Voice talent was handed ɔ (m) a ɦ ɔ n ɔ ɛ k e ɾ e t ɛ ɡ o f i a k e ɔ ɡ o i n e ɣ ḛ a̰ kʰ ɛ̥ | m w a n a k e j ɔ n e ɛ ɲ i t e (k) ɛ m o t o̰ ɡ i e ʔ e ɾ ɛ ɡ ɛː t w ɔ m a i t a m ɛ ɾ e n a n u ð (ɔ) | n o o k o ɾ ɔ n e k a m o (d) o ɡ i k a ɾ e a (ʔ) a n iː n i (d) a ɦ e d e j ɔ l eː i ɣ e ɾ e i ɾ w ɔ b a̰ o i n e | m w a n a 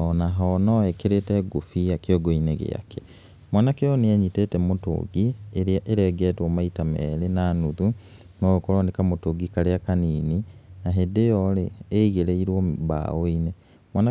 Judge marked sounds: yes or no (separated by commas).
no, no, no, no, no, no